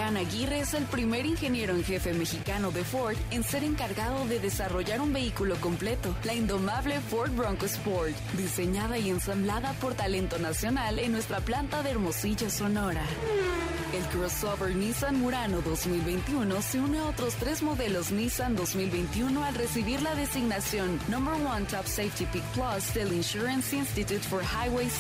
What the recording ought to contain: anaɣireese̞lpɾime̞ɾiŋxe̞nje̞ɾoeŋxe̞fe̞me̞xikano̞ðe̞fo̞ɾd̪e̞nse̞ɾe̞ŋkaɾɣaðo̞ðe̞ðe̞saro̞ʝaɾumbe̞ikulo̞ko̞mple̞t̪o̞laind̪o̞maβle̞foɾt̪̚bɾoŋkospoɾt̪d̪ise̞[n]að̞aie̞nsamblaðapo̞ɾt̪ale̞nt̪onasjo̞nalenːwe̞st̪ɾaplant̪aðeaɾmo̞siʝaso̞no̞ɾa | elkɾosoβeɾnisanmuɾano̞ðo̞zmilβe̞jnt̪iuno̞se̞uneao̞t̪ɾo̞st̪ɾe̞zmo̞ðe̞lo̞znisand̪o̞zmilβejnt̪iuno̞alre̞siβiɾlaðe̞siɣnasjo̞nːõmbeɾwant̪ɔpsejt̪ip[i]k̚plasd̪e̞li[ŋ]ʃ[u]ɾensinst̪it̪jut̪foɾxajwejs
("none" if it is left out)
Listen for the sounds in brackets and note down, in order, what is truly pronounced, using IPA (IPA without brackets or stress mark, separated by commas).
ɲ, i, n, u